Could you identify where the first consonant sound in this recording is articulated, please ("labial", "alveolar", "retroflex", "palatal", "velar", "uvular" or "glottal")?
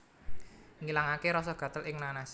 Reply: velar